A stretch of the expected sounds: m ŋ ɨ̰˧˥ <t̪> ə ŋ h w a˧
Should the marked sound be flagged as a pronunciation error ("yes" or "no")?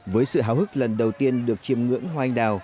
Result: yes